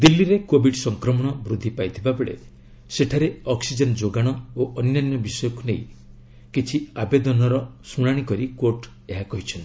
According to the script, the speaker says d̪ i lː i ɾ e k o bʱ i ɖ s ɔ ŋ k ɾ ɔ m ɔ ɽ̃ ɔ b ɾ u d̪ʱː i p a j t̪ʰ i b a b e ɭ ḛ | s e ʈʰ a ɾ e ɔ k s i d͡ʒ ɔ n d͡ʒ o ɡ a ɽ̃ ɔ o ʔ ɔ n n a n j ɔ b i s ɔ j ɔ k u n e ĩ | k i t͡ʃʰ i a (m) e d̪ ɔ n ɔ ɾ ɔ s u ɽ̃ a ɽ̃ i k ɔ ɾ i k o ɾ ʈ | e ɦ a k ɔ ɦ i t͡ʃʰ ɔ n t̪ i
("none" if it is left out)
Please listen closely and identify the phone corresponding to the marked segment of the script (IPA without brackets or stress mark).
b